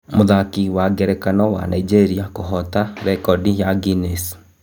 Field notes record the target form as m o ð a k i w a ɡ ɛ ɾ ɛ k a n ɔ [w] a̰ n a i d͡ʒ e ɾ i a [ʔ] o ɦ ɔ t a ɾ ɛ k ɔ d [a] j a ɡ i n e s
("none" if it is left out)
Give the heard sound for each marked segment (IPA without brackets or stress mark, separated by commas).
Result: w, k, i